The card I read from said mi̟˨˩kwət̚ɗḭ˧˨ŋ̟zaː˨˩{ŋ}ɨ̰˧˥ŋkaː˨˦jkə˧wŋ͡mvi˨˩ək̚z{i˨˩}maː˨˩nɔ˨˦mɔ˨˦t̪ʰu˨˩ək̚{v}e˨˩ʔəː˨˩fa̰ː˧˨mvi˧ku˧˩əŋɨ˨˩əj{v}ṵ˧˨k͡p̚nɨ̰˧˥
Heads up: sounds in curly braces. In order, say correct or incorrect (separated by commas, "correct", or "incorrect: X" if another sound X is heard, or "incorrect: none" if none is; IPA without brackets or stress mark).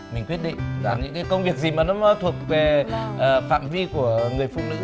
incorrect: ɲ, correct, correct, incorrect: f